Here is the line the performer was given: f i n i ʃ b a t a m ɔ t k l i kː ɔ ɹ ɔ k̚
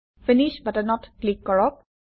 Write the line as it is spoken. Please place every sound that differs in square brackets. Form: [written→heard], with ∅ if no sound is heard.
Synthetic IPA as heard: f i n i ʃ b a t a [m→n] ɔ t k l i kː ɔ ɹ ɔ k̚